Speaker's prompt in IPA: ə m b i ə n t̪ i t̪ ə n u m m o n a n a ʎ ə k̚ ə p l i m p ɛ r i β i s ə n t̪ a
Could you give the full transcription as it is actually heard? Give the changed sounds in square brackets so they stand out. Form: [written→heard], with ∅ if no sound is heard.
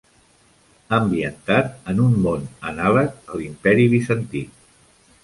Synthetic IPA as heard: ə m b i ə n t̪ [i→a] t̪ ə n u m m o n [a→ə] n a [ʎ→l] ə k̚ ə [p→∅] l i m p ɛ [r→ɾ] i β i s ə n t̪ [a→i]

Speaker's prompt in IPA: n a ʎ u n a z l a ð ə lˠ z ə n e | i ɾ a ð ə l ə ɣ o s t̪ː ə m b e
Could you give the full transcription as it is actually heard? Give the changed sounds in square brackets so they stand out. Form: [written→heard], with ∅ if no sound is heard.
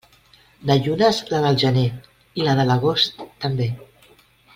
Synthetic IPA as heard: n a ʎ u n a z l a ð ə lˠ [z→ʒ] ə n e | i [ɾ→l] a ð ə l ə ɣ o s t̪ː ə m b e

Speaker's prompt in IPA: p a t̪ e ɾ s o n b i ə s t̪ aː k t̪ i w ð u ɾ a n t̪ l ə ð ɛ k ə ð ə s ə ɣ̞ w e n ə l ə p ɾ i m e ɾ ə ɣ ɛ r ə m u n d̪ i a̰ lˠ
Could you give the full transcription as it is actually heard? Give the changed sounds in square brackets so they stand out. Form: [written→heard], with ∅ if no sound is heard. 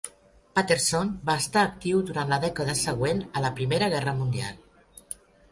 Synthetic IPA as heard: p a t̪ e ɾ s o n b [i→a] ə s t̪ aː k t̪ i w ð u ɾ a n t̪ l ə ð ɛ k ə ð ə s ə ɣ̞ w e n ə l ə p ɾ i m e ɾ ə ɣ ɛ r ə m u n d̪ i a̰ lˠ

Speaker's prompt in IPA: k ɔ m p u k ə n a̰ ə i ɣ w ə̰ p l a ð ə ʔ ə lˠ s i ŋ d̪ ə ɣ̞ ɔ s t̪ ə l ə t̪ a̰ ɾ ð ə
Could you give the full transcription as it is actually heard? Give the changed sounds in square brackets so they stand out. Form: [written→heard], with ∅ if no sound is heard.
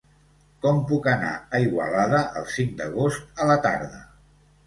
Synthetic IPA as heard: k ɔ m p u k ə n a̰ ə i ɣ w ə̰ [p→∅] l a ð ə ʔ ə lˠ s i ŋ d̪ ə ɣ̞ [ɔ→o] s t̪ ə l ə t̪ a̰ ɾ ð ə

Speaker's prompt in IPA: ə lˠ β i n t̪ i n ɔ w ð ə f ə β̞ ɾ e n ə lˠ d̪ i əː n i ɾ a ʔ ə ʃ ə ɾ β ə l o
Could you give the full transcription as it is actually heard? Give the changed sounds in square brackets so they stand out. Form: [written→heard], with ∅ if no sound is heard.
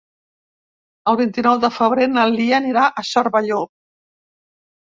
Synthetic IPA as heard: ə lˠ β i n t̪ i n ɔ w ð ə f ə β̞ ɾ e n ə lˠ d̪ i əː n i ɾ a ʔ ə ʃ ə ɾ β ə [l→ʎ] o

